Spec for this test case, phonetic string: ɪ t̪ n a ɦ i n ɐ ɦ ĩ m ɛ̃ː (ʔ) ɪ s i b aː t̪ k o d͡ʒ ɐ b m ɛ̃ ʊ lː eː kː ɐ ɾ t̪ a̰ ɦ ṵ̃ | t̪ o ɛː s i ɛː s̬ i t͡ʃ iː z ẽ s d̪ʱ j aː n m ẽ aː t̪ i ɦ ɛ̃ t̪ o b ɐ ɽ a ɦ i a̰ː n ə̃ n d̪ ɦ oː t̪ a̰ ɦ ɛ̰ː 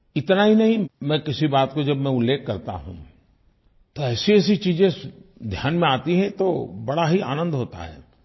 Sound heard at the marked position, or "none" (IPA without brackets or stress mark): k